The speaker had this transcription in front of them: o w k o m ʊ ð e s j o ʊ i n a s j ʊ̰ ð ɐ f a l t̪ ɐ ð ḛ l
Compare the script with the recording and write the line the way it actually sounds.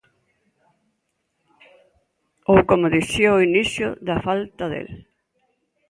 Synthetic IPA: o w k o m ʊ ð i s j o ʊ i n i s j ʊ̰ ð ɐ f a l t̪ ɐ ð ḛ l